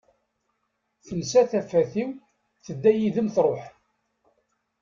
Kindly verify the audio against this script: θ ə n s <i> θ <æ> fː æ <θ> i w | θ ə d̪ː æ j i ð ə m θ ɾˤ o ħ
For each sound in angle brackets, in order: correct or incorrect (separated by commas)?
incorrect, correct, correct